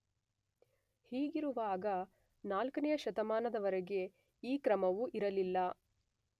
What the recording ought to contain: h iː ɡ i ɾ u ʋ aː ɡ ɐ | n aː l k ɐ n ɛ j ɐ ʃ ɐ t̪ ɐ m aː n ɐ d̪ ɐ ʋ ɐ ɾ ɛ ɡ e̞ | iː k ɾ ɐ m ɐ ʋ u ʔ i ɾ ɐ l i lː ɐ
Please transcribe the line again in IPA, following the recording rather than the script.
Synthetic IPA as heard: h iː ɡ i ɾ u ʋ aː ɡ ɐ | n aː l k ɐ n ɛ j ɐ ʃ ɐ t̪ ɐ m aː n ɐ d̪ ɐ ʋ ɐ ɾ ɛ ɡ e̞ | iː k ɾ ɐ m ɐ ʋ u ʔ i ɾ ɐ l i lː ɐ

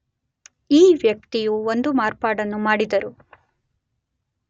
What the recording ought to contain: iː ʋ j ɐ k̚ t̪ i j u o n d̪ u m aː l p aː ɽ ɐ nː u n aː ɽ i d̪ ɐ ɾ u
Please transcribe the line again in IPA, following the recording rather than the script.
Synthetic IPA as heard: iː ʋ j ɐ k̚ t̪ i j u o n d̪ u m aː ɾ p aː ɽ ɐ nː u m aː ɽ i d̪ ɐ ɾ u

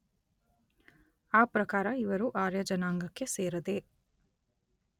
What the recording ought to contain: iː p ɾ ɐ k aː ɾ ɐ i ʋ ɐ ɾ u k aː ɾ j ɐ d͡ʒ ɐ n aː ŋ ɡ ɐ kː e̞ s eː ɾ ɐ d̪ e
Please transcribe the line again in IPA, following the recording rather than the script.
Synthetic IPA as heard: aː p ɾ ɐ k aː ɾ ɐ i ʋ ɐ ɾ u ʔ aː ɾ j ɐ d͡ʒ ɐ n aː ŋ ɡ ɐ kː e̞ s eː ɾ ɐ d̪ e

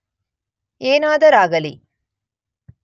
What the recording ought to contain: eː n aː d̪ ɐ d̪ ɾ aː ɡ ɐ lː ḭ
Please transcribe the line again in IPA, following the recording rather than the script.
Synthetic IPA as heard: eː n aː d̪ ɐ ɾ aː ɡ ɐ l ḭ

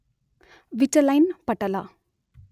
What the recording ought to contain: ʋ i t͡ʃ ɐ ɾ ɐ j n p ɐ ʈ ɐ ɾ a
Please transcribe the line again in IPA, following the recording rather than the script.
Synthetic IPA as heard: ʋ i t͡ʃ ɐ l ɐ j n p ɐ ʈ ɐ l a

